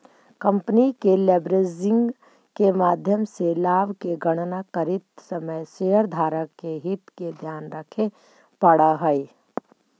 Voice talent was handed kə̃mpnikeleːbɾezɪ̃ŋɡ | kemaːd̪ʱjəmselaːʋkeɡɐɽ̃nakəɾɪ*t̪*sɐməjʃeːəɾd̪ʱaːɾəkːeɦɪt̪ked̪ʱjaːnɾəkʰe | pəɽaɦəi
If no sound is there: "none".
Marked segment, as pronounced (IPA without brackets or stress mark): t̪